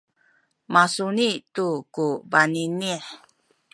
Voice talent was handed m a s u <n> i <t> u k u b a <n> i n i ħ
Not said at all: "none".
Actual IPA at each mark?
n, t, n

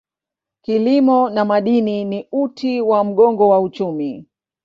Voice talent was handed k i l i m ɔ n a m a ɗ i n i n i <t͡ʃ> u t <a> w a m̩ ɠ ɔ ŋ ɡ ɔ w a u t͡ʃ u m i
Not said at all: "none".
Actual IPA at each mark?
none, i

